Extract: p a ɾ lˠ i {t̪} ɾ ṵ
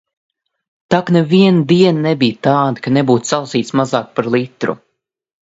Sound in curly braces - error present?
no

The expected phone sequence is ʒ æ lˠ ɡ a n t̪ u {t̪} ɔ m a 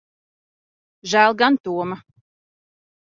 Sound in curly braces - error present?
yes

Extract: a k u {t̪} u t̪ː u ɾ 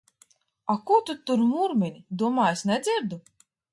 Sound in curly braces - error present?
no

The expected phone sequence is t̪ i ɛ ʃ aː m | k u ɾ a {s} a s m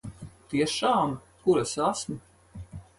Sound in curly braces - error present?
no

